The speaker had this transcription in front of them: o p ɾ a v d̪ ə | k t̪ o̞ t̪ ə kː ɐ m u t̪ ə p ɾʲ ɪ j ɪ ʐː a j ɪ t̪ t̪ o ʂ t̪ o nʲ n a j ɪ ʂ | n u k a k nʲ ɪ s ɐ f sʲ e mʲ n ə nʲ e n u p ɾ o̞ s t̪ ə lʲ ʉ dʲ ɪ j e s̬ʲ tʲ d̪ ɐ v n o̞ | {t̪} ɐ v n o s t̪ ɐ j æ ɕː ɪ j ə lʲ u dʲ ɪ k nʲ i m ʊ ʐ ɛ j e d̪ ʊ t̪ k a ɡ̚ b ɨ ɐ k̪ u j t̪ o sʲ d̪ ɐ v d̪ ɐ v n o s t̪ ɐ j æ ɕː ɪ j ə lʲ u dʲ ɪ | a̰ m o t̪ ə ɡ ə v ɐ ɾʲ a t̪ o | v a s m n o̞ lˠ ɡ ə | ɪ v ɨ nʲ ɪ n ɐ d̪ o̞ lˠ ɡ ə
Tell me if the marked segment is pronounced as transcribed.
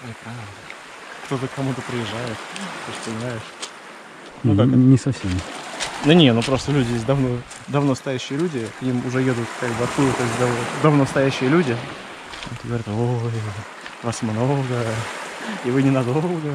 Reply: no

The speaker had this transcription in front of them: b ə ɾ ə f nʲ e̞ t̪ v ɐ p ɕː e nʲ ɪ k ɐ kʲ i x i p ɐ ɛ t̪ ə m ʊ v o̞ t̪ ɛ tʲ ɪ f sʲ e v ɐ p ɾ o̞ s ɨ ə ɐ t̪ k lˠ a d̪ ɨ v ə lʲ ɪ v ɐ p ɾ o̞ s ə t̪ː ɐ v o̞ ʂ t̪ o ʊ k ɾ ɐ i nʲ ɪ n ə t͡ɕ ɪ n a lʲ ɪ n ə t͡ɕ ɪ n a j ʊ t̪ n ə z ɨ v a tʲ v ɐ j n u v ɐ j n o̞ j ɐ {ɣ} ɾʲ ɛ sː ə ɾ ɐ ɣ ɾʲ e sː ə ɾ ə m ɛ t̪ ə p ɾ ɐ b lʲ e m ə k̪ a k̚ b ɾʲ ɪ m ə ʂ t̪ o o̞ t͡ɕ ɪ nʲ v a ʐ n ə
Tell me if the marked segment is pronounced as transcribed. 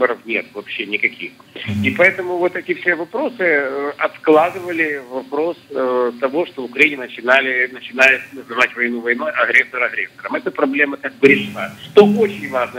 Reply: yes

